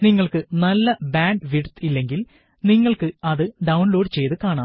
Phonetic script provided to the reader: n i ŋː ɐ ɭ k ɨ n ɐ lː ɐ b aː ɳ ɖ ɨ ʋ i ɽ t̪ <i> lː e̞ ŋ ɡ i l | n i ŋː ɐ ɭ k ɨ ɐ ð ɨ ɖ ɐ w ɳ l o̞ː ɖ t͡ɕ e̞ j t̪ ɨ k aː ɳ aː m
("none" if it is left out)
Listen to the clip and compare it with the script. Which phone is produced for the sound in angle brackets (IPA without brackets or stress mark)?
i